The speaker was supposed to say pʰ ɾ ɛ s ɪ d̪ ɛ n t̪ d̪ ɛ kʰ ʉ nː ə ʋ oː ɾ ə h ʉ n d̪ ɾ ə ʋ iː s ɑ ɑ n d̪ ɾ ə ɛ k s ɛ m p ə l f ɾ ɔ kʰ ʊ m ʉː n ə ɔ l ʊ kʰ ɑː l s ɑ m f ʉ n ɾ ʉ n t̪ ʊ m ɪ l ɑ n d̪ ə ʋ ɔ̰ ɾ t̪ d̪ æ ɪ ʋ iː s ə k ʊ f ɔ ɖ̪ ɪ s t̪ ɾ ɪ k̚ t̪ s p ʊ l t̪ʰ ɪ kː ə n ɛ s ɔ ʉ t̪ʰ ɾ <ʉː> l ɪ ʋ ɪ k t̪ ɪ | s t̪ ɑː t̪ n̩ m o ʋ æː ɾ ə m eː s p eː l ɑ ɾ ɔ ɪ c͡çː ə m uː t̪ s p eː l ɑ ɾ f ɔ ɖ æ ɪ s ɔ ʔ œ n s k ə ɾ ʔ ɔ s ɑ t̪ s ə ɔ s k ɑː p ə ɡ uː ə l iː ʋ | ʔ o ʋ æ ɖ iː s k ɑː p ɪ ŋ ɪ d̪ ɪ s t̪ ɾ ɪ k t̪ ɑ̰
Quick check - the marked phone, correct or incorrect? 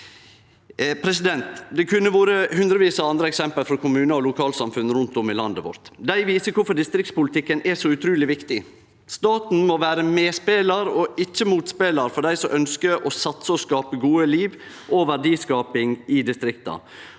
correct